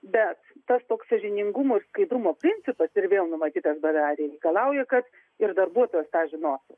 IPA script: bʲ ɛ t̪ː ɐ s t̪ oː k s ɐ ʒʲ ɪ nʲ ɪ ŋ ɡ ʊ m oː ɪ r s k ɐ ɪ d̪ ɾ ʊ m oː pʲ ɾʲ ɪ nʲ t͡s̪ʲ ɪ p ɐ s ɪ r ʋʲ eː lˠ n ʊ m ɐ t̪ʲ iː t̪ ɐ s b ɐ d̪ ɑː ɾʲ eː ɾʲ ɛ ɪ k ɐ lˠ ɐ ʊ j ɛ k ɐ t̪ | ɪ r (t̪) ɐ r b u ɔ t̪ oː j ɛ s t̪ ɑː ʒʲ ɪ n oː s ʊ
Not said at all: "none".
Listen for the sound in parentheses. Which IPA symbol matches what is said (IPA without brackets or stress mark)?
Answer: d̪